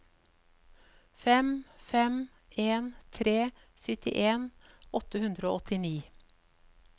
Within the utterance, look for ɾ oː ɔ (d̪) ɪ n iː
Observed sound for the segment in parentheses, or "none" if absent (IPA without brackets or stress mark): t̪